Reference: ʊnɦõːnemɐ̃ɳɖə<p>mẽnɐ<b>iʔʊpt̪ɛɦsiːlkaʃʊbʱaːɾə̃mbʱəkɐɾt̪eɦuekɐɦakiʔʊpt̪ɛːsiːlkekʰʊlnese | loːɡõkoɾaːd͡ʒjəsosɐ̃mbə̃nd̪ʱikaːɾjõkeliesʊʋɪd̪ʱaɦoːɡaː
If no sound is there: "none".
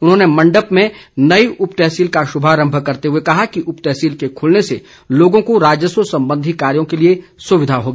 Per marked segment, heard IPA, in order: p, none

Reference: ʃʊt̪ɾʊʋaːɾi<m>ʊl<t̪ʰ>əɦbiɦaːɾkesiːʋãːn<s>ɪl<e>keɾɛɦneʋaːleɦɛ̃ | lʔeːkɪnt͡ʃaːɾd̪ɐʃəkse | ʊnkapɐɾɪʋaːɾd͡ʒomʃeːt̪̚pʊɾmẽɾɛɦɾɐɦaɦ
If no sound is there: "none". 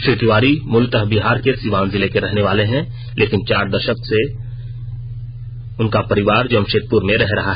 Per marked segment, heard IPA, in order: m, t̪, z, e

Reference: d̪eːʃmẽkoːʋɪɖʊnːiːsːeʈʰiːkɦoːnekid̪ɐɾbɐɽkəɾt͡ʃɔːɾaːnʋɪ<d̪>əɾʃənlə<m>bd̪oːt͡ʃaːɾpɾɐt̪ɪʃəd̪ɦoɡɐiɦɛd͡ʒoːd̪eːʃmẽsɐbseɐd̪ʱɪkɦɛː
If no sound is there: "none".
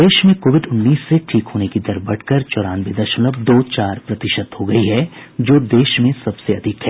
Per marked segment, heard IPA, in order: d̪, none

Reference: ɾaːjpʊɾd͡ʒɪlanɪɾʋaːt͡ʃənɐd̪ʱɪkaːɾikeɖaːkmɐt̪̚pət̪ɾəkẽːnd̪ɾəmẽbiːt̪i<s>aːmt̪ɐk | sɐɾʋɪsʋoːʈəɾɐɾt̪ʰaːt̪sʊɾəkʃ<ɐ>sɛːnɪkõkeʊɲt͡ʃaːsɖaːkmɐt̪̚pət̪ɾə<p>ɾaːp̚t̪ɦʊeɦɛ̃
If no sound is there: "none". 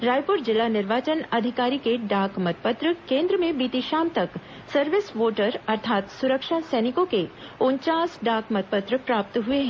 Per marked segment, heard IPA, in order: ʃ, a, p

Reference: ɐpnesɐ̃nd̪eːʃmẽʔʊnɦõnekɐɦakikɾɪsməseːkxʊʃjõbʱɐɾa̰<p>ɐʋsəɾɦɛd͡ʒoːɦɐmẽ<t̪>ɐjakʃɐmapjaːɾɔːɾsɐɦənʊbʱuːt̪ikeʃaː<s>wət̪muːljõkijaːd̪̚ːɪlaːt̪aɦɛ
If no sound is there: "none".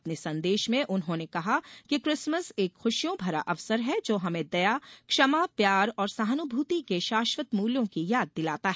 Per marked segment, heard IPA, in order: ʔ, d̪, ʃ

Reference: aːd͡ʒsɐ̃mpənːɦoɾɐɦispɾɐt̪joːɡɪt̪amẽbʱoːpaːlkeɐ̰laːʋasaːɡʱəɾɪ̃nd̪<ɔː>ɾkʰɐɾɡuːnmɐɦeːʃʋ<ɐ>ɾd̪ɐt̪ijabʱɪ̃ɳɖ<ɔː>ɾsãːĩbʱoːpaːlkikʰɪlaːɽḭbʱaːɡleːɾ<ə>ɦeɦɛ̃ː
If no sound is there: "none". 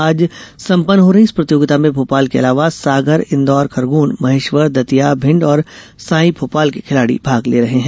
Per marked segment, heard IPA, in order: ɔː, ə, ɔː, ɐ

